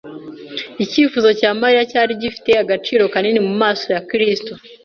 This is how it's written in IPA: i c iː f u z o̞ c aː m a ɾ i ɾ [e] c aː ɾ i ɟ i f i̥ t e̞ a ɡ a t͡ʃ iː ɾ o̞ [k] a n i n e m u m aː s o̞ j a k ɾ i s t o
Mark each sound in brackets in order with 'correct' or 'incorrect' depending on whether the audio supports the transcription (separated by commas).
incorrect, correct